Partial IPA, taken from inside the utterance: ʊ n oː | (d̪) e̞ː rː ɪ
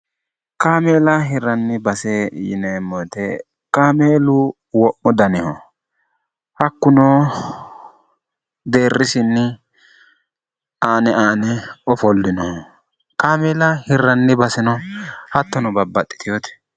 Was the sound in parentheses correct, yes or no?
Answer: yes